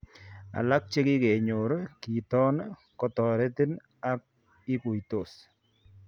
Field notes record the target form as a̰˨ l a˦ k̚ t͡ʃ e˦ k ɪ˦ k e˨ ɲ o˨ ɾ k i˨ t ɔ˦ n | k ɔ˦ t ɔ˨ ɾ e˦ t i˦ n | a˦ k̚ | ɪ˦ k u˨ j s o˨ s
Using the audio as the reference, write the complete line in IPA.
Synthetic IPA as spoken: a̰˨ l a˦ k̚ t͡ʃ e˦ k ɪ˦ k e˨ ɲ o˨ ɾ k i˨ t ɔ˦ n | k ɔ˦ t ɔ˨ ɾ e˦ t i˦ n | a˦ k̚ | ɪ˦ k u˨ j t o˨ s